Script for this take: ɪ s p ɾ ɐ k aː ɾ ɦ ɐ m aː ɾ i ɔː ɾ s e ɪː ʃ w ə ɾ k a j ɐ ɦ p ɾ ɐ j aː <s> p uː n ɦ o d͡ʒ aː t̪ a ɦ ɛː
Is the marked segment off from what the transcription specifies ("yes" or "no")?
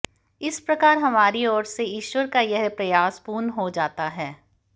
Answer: no